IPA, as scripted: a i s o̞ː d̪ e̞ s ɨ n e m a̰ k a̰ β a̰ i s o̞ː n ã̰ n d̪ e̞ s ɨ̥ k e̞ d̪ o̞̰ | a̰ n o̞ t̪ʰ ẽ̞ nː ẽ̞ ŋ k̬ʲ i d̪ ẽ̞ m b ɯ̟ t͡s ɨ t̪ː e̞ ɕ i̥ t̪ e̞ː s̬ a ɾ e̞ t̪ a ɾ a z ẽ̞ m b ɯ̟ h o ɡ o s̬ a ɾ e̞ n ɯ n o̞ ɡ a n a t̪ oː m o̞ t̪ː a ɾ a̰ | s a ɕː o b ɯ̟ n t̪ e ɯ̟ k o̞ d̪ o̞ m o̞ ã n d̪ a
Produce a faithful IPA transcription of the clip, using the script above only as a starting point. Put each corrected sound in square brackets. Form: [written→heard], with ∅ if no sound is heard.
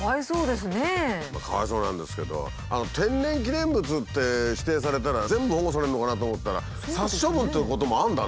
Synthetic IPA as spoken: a i s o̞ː d̪ e̞ s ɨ n e m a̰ k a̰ β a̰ i s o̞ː n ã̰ n d̪ e̞ s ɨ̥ k e̞ d̪ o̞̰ | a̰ n o̞ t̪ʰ ẽ̞ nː ẽ̞ ŋ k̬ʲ i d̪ ẽ̞ m b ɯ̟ t͡s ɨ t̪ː e̞ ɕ i̥ t̪ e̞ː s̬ a ɾ e̞ t̪ a ɾ a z ẽ̞ m b ɯ̟ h o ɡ o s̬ a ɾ e̞ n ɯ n o̞ [ɡ→k] a n a t̪ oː m o̞ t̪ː a ɾ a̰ | s a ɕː o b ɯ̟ n t̪ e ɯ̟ k o̞ [d̪→t̪] o̞ m o̞ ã n d̪ a